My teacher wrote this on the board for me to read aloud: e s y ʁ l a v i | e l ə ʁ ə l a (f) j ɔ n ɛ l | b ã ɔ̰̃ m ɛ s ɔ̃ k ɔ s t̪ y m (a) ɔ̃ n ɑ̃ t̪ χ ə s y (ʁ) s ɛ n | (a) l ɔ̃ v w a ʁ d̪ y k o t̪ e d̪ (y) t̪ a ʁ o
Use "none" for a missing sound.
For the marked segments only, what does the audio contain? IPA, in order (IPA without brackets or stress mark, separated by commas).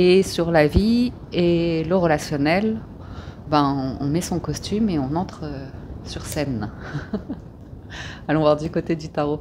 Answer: s, e, ʁ, a, y